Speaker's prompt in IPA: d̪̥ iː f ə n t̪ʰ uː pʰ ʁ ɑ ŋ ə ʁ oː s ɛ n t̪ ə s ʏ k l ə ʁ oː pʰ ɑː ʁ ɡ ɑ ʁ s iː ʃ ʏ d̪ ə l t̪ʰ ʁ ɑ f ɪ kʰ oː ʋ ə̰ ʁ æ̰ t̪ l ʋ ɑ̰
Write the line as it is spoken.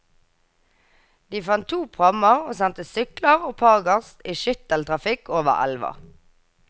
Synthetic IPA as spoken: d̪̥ iː f ɑ n t̪ʰ uː pʰ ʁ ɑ m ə ʁ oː s ɛ n t̪ ə s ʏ k l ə ʁ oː pʰ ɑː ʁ ɡ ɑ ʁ s iː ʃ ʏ t̪ ə l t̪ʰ ʁ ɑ f ɪ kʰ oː ʋ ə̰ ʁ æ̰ l ʋ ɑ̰